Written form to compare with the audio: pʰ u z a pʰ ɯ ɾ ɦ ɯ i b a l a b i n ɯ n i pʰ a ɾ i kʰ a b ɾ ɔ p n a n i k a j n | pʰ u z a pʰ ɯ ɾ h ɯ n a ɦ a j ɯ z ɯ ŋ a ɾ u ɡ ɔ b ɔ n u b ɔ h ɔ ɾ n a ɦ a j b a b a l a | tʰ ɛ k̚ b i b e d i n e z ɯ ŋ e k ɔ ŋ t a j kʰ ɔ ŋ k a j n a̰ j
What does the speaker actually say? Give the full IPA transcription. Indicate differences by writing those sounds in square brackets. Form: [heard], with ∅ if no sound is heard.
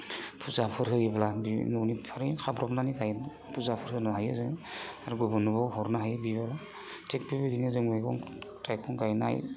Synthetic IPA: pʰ u z a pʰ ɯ ɾ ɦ ɯ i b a l a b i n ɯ n i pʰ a ɾ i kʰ a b ɾ ɔ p n a n i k a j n | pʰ u z a pʰ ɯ ɾ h ɯ n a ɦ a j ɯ z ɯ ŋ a ɾ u ɡ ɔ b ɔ n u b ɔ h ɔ ɾ n a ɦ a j b [i] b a l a | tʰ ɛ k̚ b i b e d i n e z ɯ ŋ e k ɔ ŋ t a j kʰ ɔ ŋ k a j n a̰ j